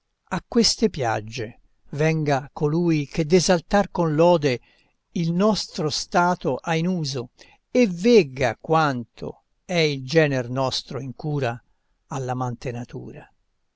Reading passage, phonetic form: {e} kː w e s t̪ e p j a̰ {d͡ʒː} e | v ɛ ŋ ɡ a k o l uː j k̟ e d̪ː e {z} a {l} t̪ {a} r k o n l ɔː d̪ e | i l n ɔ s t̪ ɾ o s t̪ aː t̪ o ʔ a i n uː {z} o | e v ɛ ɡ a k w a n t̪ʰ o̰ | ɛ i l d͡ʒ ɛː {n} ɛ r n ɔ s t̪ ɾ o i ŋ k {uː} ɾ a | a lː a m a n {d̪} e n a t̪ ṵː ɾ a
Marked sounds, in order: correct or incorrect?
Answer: incorrect, correct, correct, correct, correct, correct, correct, correct, incorrect

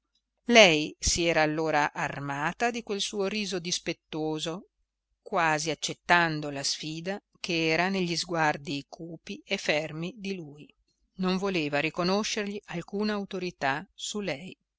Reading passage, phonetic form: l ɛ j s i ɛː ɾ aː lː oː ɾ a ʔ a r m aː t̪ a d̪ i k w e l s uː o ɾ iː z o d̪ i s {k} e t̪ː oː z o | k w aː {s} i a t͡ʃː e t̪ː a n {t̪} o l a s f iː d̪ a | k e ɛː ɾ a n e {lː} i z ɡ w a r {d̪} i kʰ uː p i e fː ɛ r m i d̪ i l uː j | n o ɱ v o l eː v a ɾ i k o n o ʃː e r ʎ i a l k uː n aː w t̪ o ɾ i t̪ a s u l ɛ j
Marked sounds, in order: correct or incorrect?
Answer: incorrect, incorrect, incorrect, incorrect, correct

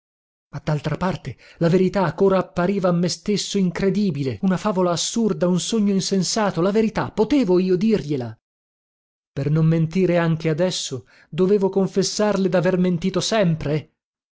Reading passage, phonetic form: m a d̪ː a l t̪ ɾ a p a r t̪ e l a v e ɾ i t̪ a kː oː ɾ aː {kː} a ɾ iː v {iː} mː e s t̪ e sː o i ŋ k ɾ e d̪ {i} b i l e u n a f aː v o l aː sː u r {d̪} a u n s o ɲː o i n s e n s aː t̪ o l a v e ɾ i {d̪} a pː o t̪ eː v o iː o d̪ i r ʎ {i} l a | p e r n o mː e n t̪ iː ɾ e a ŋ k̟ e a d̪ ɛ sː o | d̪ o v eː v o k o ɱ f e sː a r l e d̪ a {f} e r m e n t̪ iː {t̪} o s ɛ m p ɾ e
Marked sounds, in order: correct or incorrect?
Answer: incorrect, incorrect, incorrect, correct, incorrect, incorrect, incorrect, correct

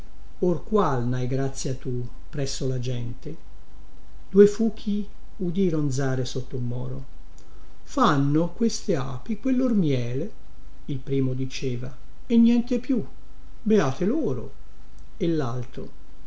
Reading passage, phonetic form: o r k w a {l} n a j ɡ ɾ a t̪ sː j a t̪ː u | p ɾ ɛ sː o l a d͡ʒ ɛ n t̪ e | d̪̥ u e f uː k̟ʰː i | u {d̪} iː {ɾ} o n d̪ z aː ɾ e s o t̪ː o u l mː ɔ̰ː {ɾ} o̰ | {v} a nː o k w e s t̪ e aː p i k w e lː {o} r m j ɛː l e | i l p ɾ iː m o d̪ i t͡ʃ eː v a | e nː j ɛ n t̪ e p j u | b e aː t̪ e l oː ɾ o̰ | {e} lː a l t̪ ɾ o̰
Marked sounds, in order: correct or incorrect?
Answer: correct, correct, correct, correct, incorrect, correct, correct

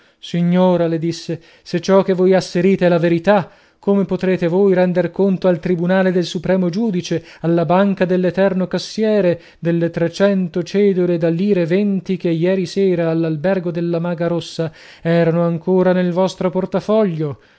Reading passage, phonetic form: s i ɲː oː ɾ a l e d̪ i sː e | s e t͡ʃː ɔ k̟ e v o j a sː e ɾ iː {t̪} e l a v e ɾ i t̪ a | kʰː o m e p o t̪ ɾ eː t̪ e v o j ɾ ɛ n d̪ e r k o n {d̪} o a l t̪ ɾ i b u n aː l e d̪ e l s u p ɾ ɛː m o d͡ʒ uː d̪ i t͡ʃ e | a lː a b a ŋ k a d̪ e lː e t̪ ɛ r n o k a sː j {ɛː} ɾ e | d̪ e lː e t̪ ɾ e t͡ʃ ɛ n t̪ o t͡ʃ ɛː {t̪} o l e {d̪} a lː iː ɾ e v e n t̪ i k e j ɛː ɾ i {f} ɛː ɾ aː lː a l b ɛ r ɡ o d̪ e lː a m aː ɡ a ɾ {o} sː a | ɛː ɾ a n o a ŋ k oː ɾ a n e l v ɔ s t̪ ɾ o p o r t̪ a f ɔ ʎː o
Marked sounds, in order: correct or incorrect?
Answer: correct, incorrect, correct, incorrect, correct, incorrect, correct

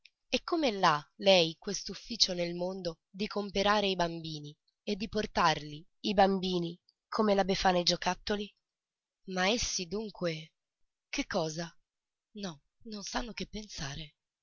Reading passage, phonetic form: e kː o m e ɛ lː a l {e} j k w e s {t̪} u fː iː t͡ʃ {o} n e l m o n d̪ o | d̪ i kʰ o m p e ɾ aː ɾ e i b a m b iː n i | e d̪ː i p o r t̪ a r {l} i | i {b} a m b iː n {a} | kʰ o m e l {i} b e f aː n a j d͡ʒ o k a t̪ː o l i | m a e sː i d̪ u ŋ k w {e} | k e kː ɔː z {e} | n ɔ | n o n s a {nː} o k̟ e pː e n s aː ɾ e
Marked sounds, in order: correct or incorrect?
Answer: incorrect, correct, correct, correct, correct, incorrect, incorrect, correct, incorrect, correct

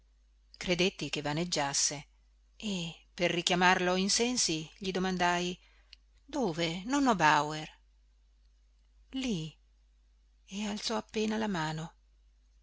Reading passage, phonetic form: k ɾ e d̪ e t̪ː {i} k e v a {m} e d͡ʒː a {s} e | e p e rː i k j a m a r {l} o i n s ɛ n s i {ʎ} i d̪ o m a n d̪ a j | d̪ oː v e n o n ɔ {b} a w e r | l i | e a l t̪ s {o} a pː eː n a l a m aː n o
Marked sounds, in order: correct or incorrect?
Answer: correct, incorrect, incorrect, correct, correct, correct, incorrect

